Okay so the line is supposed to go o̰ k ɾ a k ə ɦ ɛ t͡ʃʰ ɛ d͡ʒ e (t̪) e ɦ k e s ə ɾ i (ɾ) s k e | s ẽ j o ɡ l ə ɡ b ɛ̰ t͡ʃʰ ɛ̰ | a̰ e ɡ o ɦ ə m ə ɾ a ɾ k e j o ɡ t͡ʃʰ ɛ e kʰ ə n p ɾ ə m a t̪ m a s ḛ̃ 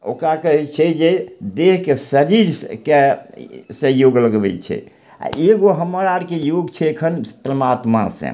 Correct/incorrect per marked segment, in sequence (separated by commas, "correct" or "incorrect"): incorrect, correct